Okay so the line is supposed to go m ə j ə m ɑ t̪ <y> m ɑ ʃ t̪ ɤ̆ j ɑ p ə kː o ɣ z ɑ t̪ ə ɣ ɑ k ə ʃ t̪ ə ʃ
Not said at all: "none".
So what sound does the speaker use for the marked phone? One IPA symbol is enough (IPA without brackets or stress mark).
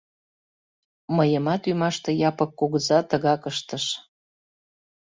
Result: y